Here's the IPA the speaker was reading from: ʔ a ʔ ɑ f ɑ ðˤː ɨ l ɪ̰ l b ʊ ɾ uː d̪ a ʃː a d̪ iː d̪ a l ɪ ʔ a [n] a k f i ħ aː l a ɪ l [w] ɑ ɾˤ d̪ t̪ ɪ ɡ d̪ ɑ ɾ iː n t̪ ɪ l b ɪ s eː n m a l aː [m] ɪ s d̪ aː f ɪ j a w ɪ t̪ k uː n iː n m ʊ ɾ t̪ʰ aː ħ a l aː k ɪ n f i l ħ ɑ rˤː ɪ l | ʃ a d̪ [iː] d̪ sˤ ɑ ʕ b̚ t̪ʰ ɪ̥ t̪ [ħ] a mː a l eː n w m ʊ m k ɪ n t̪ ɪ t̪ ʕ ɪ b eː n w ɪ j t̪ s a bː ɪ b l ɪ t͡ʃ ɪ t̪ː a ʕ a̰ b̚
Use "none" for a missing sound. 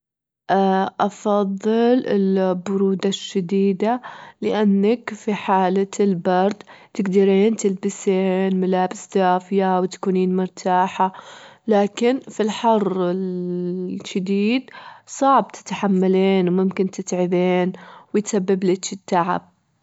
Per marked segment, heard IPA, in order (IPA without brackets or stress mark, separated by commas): nː, b, b, iː, ħ